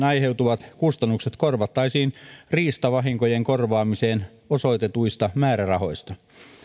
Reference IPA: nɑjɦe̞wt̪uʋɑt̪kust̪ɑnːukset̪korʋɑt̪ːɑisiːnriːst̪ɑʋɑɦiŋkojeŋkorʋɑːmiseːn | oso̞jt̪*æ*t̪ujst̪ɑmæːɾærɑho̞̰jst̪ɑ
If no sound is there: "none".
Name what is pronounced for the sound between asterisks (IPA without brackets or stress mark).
e